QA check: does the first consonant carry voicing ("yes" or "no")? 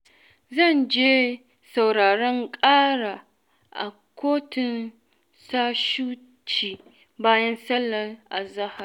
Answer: yes